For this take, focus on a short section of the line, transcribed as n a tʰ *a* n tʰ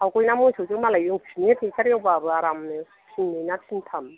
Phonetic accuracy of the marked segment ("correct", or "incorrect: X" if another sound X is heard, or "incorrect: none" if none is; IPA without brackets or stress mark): incorrect: i